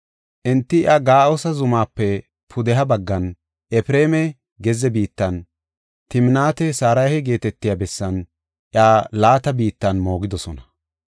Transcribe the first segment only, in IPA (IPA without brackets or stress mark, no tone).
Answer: ʔ